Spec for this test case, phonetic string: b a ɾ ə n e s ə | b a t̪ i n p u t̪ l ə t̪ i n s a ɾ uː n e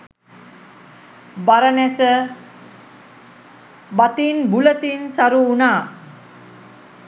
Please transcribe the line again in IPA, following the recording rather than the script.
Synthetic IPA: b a ɾ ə n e s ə | b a t̪ i n b u l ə t̪ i n s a ɾ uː n a